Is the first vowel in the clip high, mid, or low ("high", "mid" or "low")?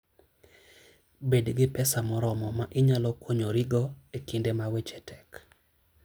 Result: mid